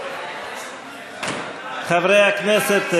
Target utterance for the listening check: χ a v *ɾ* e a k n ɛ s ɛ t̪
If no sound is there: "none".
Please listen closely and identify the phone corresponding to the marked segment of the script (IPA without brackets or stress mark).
ɾ